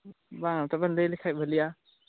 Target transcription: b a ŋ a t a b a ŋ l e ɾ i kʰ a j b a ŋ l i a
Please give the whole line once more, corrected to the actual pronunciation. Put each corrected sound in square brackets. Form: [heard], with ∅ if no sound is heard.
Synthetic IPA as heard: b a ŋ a t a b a [n] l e [l] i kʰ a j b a [∅] l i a